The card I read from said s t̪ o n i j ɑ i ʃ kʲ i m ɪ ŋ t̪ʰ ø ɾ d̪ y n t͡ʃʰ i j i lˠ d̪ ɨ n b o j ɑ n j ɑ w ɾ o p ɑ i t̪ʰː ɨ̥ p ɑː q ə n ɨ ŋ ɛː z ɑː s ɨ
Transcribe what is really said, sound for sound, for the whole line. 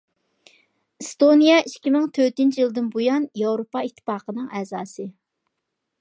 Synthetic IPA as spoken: s t̪ o n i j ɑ i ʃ kʲ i m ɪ ŋ t̪ʰ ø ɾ t̪ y n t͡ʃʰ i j i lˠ d̪ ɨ n b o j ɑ n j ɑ w ɾ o p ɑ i t̪ʰː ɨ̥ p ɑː q ə n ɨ ŋ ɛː z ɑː s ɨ